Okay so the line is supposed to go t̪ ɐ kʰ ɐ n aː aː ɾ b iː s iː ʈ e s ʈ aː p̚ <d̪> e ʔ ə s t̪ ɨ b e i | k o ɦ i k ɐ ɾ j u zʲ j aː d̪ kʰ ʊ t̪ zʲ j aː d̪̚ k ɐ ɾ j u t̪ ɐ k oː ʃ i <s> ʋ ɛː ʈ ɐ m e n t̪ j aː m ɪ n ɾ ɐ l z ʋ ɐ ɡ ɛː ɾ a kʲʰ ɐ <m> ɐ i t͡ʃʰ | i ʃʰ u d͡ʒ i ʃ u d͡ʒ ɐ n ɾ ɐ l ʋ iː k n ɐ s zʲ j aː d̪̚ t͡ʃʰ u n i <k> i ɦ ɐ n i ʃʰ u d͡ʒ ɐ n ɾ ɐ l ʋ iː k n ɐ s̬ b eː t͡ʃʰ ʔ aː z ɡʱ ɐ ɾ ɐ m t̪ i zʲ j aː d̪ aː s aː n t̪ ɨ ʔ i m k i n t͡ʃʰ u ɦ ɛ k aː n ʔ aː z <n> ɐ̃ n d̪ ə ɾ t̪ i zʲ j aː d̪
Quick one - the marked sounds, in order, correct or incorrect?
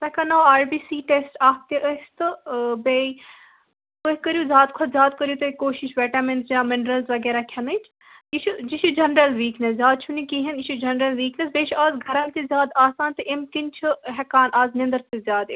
incorrect, incorrect, incorrect, correct, correct

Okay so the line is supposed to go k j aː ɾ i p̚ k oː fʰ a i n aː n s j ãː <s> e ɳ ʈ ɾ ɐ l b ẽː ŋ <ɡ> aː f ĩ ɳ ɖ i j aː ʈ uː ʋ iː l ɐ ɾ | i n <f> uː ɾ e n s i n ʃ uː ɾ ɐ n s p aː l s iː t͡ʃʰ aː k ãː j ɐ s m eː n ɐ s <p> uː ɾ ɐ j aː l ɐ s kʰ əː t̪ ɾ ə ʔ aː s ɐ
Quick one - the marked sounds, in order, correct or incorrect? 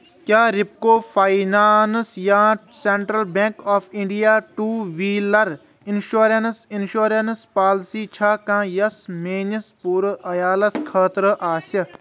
correct, incorrect, incorrect, correct

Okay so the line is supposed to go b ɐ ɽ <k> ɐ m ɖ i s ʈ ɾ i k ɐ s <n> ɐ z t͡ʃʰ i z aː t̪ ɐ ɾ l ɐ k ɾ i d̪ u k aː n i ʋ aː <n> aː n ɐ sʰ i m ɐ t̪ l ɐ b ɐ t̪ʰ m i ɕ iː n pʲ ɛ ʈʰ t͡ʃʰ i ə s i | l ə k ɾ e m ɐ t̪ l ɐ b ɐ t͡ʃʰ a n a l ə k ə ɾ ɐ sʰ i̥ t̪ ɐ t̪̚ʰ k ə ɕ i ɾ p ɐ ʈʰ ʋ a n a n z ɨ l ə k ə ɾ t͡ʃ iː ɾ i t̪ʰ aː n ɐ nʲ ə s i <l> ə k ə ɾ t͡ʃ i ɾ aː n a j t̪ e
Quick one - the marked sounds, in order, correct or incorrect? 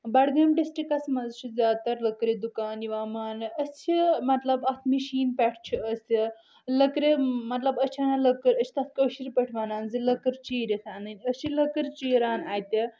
incorrect, incorrect, incorrect, correct

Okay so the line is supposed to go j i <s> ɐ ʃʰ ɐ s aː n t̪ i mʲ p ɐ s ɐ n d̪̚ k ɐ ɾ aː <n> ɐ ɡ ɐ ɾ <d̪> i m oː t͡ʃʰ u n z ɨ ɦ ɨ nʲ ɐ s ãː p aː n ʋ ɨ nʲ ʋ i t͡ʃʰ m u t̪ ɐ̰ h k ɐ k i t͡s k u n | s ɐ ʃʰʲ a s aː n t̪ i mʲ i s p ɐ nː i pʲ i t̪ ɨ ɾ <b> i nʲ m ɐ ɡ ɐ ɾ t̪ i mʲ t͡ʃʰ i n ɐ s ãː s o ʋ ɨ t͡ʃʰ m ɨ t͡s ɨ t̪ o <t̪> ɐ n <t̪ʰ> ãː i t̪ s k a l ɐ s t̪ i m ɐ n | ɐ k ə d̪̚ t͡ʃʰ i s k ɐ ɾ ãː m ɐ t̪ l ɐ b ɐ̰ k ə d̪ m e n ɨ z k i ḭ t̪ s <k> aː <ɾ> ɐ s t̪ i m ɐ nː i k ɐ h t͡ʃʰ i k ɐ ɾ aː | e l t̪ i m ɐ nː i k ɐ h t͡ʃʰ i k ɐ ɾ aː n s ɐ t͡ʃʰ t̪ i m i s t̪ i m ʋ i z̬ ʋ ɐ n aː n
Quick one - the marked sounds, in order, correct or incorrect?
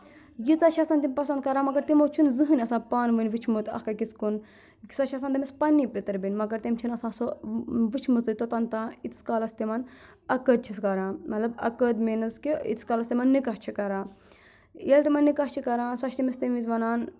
incorrect, incorrect, incorrect, correct, correct, incorrect, correct, incorrect

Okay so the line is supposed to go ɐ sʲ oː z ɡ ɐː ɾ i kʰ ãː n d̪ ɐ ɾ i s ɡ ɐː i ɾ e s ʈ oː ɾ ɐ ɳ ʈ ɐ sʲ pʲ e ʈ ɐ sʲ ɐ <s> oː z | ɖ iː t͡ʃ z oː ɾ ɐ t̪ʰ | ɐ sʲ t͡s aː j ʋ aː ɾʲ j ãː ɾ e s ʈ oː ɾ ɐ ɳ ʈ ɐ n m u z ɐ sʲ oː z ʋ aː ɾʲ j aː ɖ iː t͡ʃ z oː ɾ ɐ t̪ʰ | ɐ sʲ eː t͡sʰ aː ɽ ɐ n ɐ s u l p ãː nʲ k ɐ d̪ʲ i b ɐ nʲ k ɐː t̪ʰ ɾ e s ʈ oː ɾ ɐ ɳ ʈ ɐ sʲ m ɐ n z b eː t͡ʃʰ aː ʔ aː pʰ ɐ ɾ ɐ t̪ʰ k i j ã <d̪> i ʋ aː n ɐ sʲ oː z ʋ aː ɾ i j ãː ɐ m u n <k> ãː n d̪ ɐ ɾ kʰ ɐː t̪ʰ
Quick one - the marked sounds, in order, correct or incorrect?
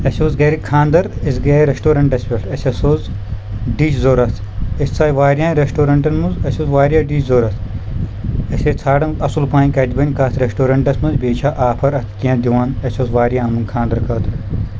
correct, correct, incorrect

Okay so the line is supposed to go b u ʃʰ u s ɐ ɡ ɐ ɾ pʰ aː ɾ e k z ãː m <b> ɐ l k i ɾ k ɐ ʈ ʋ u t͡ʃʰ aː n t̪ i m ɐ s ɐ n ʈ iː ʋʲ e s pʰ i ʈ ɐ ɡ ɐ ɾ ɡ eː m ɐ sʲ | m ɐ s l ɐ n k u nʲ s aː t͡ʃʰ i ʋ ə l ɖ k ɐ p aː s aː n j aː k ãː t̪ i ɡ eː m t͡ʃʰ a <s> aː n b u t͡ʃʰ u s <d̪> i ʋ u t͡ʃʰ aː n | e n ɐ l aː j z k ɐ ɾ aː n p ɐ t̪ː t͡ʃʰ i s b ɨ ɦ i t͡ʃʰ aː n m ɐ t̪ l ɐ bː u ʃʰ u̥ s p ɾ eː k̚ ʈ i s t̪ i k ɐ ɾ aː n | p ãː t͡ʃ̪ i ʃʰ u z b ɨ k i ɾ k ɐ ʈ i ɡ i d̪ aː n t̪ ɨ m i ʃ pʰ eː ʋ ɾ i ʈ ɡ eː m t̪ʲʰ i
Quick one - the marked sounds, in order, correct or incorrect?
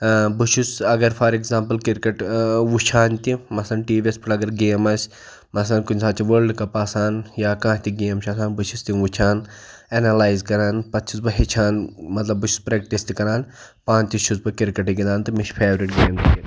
incorrect, correct, incorrect

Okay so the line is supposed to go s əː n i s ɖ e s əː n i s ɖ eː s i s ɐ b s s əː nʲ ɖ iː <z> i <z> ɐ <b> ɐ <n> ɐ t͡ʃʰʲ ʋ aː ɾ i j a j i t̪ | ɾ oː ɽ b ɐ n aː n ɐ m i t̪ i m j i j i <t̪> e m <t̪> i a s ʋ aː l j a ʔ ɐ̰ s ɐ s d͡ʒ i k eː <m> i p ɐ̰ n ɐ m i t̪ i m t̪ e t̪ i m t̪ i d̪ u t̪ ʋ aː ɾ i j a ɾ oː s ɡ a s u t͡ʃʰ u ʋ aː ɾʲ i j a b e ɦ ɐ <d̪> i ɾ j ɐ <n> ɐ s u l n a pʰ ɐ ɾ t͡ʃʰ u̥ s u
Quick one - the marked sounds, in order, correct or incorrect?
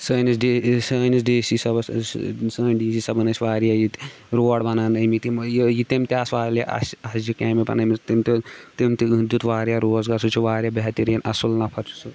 incorrect, incorrect, correct, correct, correct, correct, correct, incorrect, correct

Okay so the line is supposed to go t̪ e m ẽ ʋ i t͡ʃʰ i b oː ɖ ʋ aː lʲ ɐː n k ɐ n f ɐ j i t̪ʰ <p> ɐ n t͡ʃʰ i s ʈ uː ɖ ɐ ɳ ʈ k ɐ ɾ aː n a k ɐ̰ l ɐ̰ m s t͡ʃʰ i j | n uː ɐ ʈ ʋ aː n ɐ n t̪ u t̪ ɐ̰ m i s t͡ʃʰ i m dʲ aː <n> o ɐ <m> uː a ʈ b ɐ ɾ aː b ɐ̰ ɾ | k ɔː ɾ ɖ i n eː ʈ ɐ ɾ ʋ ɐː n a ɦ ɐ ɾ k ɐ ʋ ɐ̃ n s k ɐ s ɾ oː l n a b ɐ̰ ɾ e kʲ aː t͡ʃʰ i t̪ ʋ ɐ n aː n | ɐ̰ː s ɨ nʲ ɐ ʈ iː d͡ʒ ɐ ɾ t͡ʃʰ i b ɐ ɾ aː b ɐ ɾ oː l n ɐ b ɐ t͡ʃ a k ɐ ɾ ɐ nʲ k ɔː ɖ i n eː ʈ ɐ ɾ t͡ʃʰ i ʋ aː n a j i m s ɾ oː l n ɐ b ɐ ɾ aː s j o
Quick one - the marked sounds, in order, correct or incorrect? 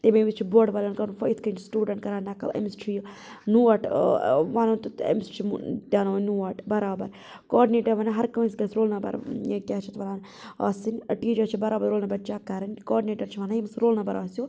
incorrect, correct, incorrect

